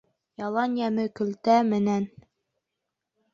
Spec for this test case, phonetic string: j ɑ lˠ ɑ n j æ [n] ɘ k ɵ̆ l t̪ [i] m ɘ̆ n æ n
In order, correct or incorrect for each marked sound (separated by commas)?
incorrect, incorrect